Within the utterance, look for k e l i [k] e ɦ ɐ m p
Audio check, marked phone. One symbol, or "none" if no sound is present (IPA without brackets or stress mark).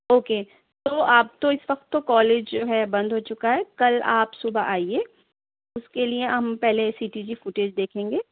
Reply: none